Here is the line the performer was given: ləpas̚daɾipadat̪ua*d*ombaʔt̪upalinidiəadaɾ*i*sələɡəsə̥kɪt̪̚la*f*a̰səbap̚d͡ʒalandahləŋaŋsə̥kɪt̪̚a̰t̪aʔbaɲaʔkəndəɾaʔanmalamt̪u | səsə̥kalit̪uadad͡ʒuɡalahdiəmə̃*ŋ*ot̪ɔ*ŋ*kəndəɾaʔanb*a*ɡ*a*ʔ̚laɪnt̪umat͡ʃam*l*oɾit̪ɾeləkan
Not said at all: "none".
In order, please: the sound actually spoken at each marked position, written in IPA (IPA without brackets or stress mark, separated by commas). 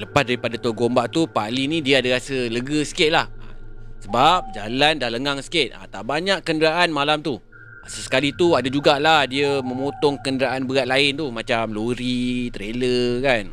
ɡ, a, h, m, ŋ, ə, a, l